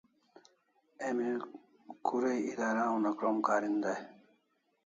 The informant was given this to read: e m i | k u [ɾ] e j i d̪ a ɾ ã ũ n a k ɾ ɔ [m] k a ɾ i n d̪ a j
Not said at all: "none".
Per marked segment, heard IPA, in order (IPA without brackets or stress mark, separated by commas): ɾ, m